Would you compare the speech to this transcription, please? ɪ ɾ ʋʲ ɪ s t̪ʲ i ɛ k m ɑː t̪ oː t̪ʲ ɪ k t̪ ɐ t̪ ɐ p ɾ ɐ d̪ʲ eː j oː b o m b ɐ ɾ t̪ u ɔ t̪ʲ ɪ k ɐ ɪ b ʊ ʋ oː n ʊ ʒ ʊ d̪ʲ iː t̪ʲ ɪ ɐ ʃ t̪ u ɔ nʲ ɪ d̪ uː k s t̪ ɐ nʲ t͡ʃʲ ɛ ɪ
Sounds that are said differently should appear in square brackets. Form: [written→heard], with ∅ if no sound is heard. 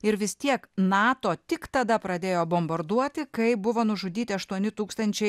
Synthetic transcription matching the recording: ɪ ɾ ʋʲ ɪ s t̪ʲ i ɛ k [m→n] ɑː t̪ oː t̪ʲ ɪ k t̪ ɐ [t̪→d̪] ɐ p ɾ ɐ d̪ʲ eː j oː b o m b ɐ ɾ [t̪→d̪] u ɔ t̪ʲ ɪ k ɐ ɪ b ʊ ʋ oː n ʊ ʒ ʊ d̪ʲ iː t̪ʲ ɪ ɐ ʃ t̪ u ɔ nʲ ɪ [d̪→t̪] uː k s t̪ ɐ nʲ t͡ʃʲ ɛ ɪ